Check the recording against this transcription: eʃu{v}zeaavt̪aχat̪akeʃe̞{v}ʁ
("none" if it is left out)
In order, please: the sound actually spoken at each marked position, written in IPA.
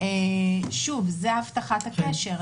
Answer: v, none

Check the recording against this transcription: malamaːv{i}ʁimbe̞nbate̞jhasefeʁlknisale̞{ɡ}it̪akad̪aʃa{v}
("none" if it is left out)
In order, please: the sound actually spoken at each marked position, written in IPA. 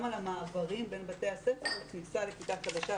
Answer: a, k, none

